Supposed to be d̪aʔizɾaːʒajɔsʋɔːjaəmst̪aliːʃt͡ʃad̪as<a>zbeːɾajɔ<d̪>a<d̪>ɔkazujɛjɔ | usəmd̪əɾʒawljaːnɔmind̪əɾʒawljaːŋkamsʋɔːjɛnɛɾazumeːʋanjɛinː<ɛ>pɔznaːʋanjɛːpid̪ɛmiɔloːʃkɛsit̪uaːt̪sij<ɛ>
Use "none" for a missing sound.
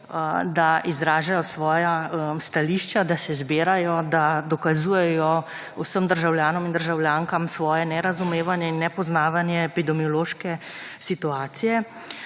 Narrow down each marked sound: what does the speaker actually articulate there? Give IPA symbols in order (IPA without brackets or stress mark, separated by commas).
ɛ, d̪, d̪, ɛ, ɛ